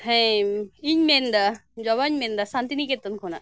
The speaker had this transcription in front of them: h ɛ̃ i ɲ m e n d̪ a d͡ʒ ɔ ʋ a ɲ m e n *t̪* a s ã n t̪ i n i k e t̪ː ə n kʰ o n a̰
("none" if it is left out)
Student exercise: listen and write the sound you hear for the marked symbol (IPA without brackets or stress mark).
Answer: d̪